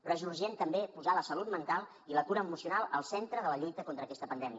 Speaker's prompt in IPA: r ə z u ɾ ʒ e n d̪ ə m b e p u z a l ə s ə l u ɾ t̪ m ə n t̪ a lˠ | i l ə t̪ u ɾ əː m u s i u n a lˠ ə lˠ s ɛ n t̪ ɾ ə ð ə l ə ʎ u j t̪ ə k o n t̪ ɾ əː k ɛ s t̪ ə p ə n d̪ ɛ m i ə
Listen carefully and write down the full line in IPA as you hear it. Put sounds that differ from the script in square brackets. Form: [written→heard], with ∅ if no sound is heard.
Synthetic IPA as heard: r ə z u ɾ ʒ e n [d̪→t̪] ə m b e p u z a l ə s ə l u [ɾ→∅] t̪ m ə n t̪ a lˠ | i l ə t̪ u ɾ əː m u s i u n a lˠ ə lˠ s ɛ n t̪ ɾ ə ð ə l ə ʎ u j t̪ ə k o n t̪ ɾ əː k ɛ s t̪ ə p ə n d̪ ɛ m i ə